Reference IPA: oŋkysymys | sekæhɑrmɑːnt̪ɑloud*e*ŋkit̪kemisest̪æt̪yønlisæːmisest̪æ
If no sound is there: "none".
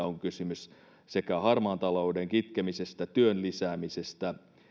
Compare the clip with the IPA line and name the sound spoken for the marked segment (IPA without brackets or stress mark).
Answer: e